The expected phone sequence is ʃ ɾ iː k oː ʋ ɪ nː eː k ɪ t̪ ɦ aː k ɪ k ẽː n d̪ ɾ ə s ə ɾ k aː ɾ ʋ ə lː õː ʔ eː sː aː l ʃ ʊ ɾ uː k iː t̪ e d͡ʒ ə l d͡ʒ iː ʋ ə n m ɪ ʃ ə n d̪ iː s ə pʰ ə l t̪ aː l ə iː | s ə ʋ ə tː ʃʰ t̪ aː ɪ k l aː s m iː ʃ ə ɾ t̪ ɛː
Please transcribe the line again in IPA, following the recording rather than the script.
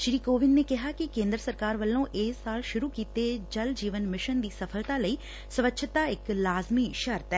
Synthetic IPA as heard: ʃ ɾ iː k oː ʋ ɪ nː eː k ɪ ɦ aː k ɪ k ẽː n d̪ ɾ ə s ə ɾ k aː ɾ ʋ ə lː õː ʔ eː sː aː l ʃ ʊ ɾ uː k iː t̪ e d͡ʒ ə l d͡ʒ iː ʋ ə n m ɪ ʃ ə n d̪ iː s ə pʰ ə l t̪ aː l ə iː | s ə ʋ ə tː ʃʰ t̪ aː ɪ k l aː z m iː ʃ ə ɾ t̪ ɛː